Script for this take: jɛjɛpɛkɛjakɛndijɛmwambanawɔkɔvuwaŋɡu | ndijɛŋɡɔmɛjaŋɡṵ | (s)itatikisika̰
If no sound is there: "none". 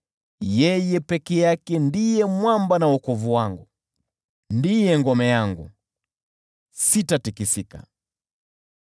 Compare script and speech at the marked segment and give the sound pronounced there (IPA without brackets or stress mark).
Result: s